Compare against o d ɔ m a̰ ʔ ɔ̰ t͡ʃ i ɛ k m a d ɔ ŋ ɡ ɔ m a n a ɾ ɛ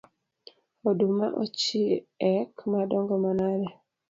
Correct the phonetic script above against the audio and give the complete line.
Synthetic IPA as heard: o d u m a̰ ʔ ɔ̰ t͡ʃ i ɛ k m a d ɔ ŋ ɡ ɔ m a n a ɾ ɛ